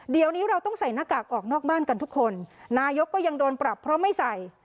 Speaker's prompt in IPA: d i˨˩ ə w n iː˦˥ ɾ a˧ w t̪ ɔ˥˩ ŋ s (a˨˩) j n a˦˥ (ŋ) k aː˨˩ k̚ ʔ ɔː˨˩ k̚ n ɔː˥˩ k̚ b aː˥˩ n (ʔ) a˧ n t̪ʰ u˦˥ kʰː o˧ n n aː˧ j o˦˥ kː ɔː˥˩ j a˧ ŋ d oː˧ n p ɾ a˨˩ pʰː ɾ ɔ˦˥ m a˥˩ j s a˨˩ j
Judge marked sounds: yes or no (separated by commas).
yes, no, no